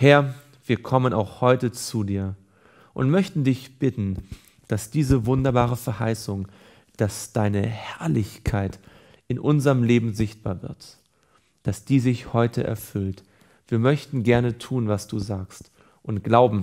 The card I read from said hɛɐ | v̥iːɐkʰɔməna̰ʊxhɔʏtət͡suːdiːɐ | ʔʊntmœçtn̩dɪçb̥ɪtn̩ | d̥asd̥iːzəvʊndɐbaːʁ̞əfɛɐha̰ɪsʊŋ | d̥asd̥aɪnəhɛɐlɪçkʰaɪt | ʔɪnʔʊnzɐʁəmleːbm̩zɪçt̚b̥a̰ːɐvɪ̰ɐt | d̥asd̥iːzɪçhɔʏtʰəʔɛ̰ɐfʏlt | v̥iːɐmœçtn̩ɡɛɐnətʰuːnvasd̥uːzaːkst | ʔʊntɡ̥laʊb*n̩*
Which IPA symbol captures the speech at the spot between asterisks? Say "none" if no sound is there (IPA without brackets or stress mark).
m̩